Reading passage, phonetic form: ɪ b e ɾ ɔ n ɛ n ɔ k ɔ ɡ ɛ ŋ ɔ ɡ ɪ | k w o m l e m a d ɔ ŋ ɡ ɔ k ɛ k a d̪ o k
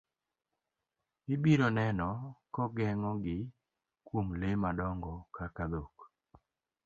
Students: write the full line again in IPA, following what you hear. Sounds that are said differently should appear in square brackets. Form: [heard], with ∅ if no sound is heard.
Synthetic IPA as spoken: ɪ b [i] ɾ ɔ n ɛ n ɔ k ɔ ɡ ɛ ŋ ɔ ɡ ɪ | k w o m l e m a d ɔ ŋ ɡ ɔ k [a] k a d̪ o k